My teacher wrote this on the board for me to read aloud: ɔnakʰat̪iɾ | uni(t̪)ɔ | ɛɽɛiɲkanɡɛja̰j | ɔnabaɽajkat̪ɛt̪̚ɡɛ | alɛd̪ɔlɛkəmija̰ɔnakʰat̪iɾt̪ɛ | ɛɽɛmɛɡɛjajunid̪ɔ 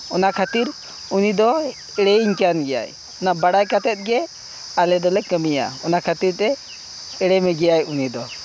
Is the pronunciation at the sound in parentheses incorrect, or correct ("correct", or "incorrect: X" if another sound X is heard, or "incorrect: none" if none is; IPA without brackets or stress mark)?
incorrect: d̪